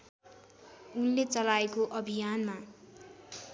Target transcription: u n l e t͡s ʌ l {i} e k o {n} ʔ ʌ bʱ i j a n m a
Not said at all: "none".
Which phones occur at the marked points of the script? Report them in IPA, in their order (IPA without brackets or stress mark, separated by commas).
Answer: a, none